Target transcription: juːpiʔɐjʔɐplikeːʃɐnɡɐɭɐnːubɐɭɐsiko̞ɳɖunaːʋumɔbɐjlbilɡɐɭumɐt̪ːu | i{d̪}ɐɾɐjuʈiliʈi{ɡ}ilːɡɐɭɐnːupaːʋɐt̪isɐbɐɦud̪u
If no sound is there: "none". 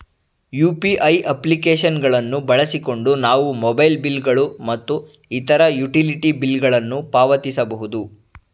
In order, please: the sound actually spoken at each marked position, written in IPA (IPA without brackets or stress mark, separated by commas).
t̪, b